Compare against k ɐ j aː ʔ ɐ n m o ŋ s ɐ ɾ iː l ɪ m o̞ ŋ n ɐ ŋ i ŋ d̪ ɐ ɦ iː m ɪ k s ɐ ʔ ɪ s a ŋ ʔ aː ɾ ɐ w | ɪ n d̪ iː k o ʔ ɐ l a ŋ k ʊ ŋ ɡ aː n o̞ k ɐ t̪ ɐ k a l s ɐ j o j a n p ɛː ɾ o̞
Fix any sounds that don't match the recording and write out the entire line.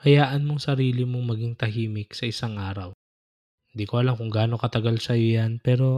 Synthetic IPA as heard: k ɐ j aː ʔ ɐ n m o ŋ s ɐ ɾ iː l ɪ m o̞ ŋ m ɐ ɡ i ŋ t̪ ɐ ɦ iː m ɪ k s ɐ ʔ ɪ s a ŋ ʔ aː ɾ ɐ w | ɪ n d̪ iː k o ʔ ɐ l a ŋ k ʊ ŋ ɡ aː n o̞ k ɐ t̪ ɐ ɡ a l s ɐ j o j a n p ɛː ɾ o̞